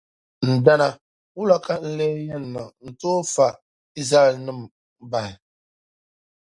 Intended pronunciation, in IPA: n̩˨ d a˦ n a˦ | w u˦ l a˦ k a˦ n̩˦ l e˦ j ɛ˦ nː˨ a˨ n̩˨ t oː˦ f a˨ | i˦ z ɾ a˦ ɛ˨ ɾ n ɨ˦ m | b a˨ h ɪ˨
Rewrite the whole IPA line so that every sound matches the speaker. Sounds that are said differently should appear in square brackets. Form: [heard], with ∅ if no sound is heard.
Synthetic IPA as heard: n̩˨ d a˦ n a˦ | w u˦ l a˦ k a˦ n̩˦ l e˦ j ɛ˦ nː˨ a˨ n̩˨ t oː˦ f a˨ | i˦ z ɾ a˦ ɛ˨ [l] n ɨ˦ m | b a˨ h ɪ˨